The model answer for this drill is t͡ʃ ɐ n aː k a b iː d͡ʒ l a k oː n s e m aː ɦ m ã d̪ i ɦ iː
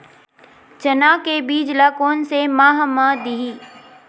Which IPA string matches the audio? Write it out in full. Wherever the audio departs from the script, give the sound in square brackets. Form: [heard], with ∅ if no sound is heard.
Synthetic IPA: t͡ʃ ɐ n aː k [e] b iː d͡ʒ l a k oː n s e m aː ɦ m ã d̪ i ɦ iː

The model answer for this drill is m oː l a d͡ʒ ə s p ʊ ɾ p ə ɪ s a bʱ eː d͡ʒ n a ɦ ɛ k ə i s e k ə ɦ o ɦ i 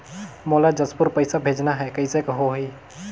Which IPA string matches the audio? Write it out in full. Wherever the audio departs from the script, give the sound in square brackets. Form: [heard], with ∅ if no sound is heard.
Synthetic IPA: m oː l a d͡ʒ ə s p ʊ ɾ p ə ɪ s a bʱ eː d͡ʒ n a ɦ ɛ k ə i s e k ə ɦ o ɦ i

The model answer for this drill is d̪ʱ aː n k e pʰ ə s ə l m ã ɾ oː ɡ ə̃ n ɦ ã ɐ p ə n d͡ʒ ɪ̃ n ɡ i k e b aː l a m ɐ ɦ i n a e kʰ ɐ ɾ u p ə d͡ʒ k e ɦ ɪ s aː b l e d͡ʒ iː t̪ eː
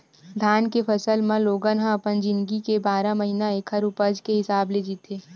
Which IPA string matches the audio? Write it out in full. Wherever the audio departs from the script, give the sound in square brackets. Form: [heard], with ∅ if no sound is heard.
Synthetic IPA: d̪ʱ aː n k e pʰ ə s ə l m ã [l] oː ɡ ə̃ n ɦ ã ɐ p ə n d͡ʒ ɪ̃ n ɡ i k e b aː [ɾ] a m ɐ ɦ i n a e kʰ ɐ ɾ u p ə d͡ʒ k e ɦ ɪ s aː b l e d͡ʒ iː t̪ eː

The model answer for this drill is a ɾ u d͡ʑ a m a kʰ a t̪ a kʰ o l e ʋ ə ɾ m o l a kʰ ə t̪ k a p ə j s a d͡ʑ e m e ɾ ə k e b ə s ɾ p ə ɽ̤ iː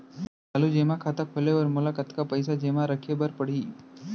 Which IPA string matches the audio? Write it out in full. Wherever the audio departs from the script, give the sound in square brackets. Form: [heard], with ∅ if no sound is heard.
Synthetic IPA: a [l] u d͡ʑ [e] m a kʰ a t̪ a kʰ o l e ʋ ə ɾ m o l a [k] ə t̪ k a p ə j s a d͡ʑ e m [a] ɾ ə [kʰ] e b ə [∅] ɾ p ə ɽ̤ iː

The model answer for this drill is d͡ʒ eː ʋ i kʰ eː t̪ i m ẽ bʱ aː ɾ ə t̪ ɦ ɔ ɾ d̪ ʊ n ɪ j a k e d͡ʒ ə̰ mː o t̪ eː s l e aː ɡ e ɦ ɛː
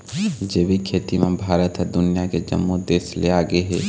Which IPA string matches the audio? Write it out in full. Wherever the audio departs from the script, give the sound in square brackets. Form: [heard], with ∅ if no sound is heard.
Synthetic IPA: d͡ʒ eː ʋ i kʰ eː t̪ i m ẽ bʱ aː ɾ ə t̪ ɦ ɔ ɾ d̪ ʊ n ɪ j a k e d͡ʒ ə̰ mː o [d̪] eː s l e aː ɡ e ɦ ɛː

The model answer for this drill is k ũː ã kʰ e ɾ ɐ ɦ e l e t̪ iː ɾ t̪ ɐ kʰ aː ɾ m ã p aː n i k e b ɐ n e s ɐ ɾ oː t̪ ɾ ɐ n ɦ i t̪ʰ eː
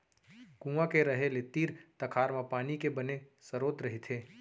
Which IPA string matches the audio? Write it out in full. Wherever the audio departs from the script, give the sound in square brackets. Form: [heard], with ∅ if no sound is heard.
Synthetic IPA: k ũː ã [k] e ɾ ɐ ɦ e l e t̪ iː ɾ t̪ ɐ kʰ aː ɾ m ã p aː n i k e b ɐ n e s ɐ ɾ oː t̪ ɾ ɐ [∅] ɦ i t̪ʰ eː

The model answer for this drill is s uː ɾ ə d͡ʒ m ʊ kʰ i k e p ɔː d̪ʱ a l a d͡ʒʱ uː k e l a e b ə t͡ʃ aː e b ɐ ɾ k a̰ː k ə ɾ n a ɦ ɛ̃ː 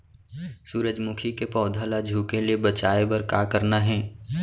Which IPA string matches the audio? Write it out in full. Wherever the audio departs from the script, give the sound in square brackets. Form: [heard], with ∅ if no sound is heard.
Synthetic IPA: s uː ɾ ə d͡ʒ m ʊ kʰ i k e p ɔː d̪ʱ a l a d͡ʒʱ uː k e l [i] e b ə t͡ʃ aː e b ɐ ɾ k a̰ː k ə ɾ n a ɦ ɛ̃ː

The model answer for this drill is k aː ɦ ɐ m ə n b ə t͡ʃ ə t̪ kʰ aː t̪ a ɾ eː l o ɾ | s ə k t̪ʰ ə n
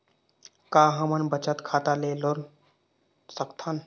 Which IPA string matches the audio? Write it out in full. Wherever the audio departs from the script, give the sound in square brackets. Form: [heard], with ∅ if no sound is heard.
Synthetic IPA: k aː ɦ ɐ m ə n b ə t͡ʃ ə t̪ kʰ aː t̪ a [l] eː l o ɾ | s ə k t̪ʰ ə n

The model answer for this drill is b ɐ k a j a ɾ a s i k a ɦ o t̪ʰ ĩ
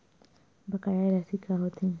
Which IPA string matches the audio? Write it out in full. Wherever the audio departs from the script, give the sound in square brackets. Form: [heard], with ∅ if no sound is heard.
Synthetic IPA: b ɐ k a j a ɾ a s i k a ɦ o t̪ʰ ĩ

